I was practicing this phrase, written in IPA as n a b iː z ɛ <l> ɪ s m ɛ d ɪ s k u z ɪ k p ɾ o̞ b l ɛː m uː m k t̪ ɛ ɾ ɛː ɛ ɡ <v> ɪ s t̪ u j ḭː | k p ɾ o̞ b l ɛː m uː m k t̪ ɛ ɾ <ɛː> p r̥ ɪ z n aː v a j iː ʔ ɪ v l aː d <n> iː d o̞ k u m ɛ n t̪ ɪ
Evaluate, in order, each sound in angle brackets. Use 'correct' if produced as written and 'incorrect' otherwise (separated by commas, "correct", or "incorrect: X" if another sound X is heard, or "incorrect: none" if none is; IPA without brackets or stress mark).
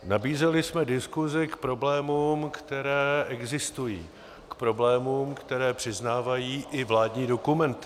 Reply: correct, incorrect: z, correct, incorrect: ɲ